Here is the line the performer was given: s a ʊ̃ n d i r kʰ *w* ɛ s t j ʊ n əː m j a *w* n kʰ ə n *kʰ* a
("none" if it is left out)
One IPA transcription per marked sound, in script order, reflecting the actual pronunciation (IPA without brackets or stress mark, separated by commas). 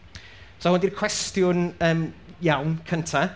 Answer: w, w, tʰ